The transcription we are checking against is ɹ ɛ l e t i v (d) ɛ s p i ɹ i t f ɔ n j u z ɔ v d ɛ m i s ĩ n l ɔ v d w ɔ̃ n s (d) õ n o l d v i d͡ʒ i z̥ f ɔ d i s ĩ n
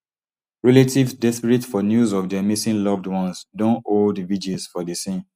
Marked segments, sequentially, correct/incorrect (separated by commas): correct, correct